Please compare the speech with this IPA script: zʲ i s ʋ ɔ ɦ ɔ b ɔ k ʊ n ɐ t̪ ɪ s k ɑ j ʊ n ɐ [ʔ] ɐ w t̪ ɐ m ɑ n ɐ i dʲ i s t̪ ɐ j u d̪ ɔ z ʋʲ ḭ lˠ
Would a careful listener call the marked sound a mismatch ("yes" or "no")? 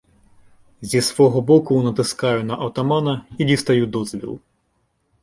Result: no